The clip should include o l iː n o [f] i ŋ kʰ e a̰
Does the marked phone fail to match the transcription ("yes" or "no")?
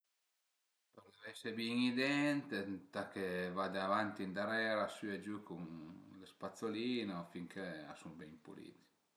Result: no